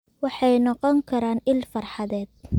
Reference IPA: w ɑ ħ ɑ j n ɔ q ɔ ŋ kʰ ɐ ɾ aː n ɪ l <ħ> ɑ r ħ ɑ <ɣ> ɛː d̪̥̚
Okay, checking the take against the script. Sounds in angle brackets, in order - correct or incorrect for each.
incorrect: f, incorrect: ð

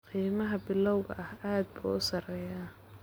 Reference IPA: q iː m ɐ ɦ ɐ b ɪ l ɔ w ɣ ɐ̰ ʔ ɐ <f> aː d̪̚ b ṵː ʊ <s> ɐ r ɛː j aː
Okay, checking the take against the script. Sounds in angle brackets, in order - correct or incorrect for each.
incorrect: h, correct

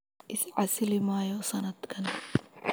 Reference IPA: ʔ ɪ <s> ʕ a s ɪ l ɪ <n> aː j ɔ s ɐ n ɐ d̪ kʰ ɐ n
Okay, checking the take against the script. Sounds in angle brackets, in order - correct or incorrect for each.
correct, incorrect: m

